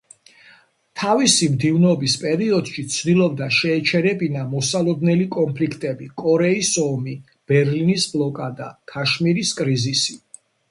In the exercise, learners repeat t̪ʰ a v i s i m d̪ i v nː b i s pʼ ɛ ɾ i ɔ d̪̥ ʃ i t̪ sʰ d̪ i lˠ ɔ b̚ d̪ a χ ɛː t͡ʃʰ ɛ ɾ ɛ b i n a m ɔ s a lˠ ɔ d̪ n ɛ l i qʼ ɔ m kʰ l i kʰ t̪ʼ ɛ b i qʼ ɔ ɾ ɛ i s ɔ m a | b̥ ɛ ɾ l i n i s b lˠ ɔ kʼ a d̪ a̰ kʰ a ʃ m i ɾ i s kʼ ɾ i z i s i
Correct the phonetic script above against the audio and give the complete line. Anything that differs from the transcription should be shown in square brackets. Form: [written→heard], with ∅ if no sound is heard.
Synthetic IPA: t̪ʰ a v i s i m d̪ i v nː b i s pʼ ɛ ɾ i ɔ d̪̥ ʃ i t̪ sʰ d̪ i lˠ ɔ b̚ d̪ a [χ→ʃ] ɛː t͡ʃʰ ɛ ɾ ɛ b i n a m ɔ s a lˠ ɔ d̪ n ɛ l i [qʼ→kʼ] ɔ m [kʰ→pʰ] l i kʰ t̪ʼ ɛ b i [qʼ→kʼ] ɔ ɾ ɛ i s ɔ m [a→i] | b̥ ɛ ɾ l i n i s b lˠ ɔ kʼ a d̪ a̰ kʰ a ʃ m i ɾ i s kʼ ɾ i z i s i

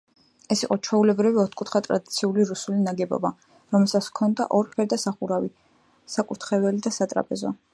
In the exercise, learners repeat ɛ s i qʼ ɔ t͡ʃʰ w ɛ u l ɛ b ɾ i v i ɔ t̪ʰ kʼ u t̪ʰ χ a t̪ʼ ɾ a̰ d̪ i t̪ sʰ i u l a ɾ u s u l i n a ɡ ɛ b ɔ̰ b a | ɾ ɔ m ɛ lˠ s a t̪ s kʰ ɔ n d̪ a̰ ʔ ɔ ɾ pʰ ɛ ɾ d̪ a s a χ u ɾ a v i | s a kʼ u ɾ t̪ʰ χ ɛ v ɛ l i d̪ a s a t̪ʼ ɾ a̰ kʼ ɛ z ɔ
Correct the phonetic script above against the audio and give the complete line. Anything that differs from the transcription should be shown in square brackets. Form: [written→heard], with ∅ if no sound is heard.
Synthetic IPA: ɛ s i qʼ ɔ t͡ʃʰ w ɛ u l ɛ b ɾ i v i ɔ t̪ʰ kʼ u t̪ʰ χ a t̪ʼ ɾ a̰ d̪ i t̪ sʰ i u l [a→i] ɾ u s u l i n a ɡ ɛ b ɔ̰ b a | ɾ ɔ m ɛ lˠ s a t̪ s kʰ ɔ n d̪ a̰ ʔ ɔ ɾ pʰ ɛ ɾ d̪ a s a χ u ɾ a v i | s a kʼ u ɾ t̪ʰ χ ɛ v ɛ l i d̪ a s a t̪ʼ ɾ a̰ [kʼ→pʼ] ɛ z ɔ

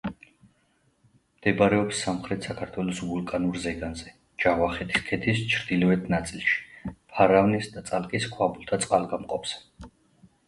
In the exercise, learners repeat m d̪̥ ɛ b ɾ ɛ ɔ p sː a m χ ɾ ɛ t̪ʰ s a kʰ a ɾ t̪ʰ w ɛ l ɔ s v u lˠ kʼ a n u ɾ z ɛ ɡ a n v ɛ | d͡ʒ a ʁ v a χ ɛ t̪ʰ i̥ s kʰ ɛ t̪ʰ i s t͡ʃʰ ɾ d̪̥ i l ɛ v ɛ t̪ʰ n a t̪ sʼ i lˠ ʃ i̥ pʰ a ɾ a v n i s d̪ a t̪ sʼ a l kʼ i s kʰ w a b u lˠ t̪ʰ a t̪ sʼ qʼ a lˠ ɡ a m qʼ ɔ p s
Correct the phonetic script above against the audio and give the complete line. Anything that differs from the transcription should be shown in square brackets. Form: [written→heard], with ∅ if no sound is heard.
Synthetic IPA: m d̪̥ ɛ b ɾ ɛ ɔ p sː a m χ ɾ ɛ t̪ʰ s a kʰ a ɾ t̪ʰ w ɛ l ɔ s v u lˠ kʼ a n u ɾ z ɛ ɡ a n [v→z] ɛ | d͡ʒ a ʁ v a χ ɛ t̪ʰ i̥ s kʰ ɛ t̪ʰ i s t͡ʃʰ ɾ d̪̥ i l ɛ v ɛ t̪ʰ n a t̪ sʼ i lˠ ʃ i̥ pʰ a ɾ a v n i s d̪ a t̪ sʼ a l kʼ i s kʰ w a b u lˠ t̪ʰ a t̪ sʼ qʼ a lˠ ɡ a m qʼ ɔ p s

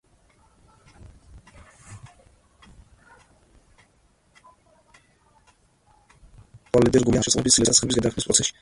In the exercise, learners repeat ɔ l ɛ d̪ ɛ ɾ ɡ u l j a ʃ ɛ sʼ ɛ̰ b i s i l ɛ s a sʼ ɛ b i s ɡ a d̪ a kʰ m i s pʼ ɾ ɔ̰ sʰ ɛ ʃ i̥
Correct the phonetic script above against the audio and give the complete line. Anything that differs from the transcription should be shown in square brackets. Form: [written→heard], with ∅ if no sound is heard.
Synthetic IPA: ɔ l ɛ d̪ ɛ ɾ ɡ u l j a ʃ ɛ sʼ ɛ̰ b i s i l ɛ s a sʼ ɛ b i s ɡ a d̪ a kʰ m i s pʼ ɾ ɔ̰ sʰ ɛ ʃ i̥

